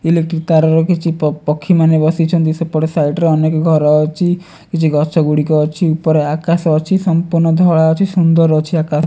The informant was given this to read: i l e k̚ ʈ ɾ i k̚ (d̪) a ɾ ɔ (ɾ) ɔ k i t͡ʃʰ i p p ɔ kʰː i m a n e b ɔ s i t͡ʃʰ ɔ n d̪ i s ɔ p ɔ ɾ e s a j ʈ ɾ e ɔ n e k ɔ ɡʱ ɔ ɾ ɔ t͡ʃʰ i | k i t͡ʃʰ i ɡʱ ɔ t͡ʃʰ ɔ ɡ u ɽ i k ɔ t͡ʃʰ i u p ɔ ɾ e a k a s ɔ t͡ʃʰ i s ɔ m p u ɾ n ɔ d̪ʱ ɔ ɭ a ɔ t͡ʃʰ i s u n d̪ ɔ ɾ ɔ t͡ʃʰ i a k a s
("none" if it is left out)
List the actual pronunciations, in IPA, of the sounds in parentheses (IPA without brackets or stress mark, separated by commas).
t̪, ɾ